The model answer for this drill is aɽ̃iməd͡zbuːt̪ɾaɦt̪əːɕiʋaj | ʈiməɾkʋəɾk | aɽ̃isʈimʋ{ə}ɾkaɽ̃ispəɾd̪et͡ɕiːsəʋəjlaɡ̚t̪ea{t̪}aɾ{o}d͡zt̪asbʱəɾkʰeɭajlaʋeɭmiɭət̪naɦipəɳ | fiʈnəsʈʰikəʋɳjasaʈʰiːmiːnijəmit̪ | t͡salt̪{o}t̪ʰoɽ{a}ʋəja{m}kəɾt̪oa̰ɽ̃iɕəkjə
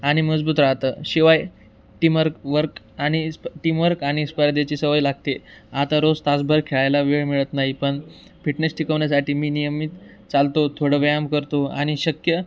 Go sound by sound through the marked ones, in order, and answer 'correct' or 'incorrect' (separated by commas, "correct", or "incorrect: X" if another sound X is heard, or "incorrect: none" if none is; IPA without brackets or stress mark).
correct, correct, correct, correct, incorrect: ə, correct